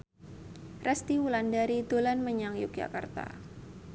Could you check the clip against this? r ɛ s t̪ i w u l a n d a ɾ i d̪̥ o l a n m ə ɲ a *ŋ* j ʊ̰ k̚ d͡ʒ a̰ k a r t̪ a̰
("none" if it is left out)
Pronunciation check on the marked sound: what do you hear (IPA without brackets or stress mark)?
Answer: ŋ